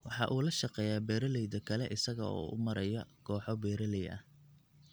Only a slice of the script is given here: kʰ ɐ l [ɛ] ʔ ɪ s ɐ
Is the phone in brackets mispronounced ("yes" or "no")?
no